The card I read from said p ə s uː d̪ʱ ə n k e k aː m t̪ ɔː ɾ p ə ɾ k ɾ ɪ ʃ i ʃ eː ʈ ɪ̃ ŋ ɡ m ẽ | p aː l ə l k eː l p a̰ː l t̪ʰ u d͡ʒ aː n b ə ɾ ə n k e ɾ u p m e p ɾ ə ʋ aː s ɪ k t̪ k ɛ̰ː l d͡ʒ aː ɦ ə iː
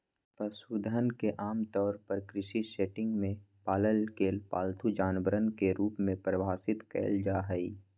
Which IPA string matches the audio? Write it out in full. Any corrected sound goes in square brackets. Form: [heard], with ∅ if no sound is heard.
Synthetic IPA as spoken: p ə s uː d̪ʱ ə n k e [ʔ] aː m t̪ ɔː ɾ p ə ɾ k ɾ ɪ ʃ i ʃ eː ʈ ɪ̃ ŋ ɡ m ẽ | p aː l ə l k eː l p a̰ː l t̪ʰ u d͡ʒ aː n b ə ɾ ə n k e ɾ [uː] p m [ẽ] p ɾ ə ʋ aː s ɪ [∅] t̪ k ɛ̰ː l d͡ʒ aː ɦ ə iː